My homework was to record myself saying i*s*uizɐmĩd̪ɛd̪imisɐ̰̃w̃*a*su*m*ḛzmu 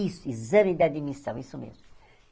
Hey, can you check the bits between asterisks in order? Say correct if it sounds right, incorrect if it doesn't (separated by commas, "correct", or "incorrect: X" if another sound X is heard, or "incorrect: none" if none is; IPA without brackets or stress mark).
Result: correct, incorrect: i, correct